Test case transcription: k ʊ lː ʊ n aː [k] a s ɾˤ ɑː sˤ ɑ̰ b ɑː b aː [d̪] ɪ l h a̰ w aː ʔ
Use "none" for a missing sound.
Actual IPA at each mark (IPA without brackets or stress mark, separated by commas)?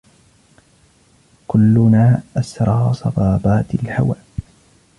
ʔ, t̪